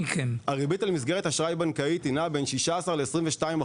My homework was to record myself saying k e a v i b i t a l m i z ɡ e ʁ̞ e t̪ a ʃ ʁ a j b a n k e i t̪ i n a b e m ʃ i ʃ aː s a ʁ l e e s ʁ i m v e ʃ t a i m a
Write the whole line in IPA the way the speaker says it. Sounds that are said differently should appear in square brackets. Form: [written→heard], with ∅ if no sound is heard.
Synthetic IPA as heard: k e a [v→ʁ] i b i t a l m i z ɡ e ʁ̞ e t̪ a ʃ ʁ a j b a n k [e→a] i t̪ i n a b e [m→n] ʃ i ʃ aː s a ʁ l e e s ʁ i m v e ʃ t a i m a